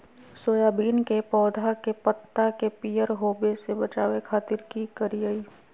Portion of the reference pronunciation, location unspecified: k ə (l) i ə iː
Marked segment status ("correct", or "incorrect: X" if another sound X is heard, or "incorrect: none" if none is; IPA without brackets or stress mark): incorrect: ɾ